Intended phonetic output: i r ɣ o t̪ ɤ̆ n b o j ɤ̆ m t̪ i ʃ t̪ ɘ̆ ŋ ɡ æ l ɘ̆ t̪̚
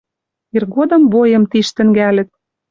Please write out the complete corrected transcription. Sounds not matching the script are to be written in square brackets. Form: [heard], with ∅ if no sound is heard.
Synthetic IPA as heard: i r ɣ o [d̪] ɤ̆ [m] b o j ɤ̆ m t̪ i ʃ t̪ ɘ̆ ŋ ɡ æ l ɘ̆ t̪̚